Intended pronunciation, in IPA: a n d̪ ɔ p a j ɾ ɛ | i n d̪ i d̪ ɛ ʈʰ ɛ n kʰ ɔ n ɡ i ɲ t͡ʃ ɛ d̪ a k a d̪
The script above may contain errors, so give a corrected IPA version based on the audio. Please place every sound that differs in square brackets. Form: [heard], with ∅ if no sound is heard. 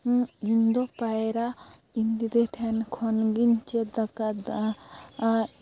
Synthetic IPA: [i] n d̪ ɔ p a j ɾ [a] | i n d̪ i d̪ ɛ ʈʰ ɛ n kʰ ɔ n ɡ i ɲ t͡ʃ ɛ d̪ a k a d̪